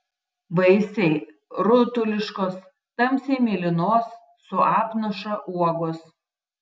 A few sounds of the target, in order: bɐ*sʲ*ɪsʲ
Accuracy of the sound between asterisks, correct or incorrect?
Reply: incorrect